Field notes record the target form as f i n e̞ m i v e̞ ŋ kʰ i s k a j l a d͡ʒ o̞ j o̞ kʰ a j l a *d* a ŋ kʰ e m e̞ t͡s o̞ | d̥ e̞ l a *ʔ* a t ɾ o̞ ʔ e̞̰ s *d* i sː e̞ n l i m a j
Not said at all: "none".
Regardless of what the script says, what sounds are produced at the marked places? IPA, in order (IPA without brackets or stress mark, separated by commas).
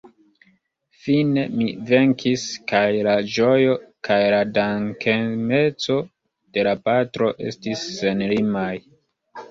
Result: d, p, t